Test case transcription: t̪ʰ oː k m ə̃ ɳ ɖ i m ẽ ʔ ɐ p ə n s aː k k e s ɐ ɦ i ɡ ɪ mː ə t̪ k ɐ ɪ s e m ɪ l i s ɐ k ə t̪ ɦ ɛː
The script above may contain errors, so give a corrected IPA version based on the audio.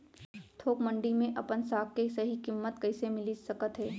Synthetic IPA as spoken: t̪ʰ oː k m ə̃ ɳ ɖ i m ẽ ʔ ɐ p ə n s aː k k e s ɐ ɦ i k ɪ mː ə t̪ k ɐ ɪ s e m ɪ l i s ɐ k ə t̪ ɦ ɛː